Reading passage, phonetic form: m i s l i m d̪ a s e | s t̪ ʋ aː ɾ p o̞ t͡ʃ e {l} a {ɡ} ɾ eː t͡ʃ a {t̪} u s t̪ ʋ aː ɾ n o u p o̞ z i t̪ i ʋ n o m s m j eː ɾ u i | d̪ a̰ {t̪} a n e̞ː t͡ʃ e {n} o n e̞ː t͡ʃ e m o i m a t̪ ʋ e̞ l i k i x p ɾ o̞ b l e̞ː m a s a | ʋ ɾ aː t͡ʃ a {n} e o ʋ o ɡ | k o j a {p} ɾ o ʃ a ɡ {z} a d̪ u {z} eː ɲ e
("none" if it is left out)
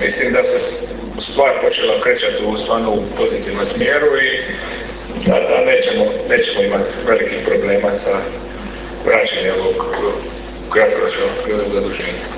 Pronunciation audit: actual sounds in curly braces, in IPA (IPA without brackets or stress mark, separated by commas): l, k, t̪, d̪, m, ɲ, p, z, ʒ